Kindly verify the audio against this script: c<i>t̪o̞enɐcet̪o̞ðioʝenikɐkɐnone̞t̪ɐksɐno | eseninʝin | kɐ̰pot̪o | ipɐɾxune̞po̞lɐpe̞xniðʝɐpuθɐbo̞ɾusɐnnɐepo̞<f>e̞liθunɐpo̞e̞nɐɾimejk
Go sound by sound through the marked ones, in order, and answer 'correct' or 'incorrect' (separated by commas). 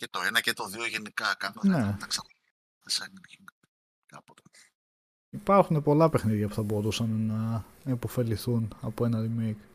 incorrect, correct